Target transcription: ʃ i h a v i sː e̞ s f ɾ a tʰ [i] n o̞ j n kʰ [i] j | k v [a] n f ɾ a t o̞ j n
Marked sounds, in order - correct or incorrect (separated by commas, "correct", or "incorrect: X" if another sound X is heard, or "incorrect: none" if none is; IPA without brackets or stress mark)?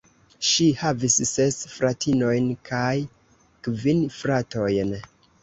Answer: correct, incorrect: a, incorrect: i